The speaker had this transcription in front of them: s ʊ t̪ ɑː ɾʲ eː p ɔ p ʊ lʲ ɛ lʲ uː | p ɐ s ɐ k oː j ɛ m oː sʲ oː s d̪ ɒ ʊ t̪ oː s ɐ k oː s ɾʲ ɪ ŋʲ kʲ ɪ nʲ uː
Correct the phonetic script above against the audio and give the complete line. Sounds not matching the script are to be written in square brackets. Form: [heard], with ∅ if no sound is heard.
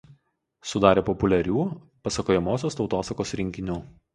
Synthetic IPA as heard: s ʊ [d̪] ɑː ɾʲ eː p ɔ p ʊ lʲ ɛ [ɾʲ] uː | p ɐ s ɐ k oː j ɛ m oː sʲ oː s [t̪] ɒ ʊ t̪ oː s ɐ k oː s ɾʲ ɪ ŋʲ kʲ ɪ nʲ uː